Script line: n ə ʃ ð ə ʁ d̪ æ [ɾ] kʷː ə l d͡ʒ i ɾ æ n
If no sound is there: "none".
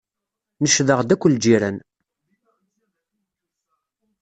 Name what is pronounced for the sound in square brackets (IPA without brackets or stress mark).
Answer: none